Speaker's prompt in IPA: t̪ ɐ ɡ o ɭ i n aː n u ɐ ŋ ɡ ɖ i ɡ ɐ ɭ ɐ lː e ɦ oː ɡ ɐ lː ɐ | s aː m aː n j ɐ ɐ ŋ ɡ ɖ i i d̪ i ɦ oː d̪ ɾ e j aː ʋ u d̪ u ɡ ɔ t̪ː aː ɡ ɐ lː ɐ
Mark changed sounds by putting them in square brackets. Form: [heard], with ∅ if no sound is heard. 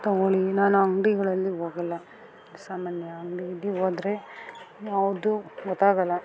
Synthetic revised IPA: t̪ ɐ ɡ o ɭ i n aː n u ɐ ŋ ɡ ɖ i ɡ ɐ ɭ ɐ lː [i] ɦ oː ɡ ɐ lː ɐ | s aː m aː n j ɐ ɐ ŋ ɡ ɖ i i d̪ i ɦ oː d̪ ɾ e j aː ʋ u d̪ u ɡ ɔ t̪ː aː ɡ ɐ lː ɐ